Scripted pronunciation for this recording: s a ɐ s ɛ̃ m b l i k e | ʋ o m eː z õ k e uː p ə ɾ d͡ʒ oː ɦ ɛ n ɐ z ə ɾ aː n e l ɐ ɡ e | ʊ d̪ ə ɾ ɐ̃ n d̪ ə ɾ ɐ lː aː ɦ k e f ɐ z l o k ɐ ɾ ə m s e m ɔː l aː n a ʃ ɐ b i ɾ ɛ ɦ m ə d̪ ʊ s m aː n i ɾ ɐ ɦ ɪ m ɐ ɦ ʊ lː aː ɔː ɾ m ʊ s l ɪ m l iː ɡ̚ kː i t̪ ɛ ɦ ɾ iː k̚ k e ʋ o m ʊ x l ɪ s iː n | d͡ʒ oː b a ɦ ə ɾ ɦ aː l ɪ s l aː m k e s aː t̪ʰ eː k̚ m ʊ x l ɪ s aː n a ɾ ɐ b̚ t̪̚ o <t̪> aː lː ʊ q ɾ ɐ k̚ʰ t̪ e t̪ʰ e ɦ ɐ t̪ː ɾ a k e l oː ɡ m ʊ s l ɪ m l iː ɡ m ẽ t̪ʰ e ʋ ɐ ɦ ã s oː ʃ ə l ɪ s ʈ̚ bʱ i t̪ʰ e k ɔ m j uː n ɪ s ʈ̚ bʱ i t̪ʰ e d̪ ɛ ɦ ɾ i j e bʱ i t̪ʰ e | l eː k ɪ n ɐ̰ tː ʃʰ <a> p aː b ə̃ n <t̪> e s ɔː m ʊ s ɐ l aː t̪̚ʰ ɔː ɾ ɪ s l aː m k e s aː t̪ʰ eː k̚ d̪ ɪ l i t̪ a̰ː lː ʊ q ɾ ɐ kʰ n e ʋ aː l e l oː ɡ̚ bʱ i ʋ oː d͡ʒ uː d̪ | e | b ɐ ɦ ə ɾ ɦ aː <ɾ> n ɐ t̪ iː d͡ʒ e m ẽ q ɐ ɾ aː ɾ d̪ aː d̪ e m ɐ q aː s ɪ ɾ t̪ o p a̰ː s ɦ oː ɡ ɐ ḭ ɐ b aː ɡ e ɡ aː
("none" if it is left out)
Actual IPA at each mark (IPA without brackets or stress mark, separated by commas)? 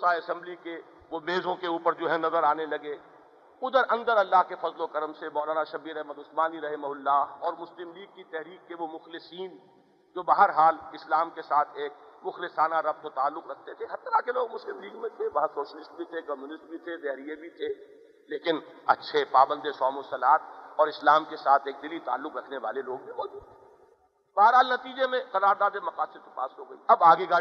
t̪, e, d̪, l